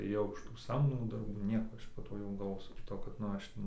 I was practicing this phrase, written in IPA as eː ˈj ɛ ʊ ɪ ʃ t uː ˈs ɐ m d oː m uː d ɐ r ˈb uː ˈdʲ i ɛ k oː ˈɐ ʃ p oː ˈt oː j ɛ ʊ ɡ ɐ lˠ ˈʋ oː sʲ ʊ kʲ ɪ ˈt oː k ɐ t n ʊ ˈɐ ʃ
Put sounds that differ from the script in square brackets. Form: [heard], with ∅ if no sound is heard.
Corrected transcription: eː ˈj ɛ ʊ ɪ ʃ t uː ˈs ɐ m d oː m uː d ɐ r ˈb uː [ˈnʲ] i ɛ k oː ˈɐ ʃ p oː ˈt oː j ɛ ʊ ɡ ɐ lˠ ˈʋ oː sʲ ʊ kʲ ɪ ˈt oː k ɐ t n ʊ ˈɐ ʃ